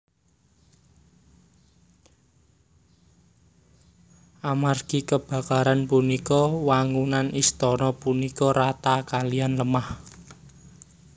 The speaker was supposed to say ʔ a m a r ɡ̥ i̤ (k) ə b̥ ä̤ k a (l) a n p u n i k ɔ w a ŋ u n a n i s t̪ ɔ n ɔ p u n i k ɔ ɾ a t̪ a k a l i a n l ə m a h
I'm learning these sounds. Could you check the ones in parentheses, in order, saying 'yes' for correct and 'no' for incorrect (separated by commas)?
yes, no